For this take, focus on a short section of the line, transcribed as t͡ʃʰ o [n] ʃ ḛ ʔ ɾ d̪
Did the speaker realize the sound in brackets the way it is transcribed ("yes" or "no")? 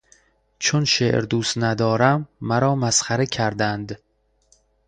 yes